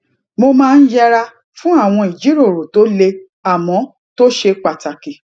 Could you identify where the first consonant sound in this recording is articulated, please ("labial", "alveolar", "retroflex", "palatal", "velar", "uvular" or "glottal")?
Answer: labial